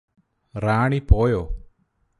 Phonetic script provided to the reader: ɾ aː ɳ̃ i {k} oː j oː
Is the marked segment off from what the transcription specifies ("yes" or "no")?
yes